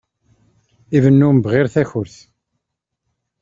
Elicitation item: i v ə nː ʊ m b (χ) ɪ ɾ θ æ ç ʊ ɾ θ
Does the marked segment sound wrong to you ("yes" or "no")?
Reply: yes